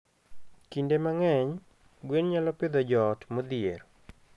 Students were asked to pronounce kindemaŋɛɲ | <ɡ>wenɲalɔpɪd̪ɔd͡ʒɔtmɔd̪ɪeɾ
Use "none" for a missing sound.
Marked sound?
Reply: ɡ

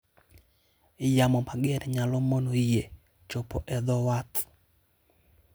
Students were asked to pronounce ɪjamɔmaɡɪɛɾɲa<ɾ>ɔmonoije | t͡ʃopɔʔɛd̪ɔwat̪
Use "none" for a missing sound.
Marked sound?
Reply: l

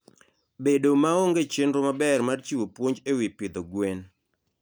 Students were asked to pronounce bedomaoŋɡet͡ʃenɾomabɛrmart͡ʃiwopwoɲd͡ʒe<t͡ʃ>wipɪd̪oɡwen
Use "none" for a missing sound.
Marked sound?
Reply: none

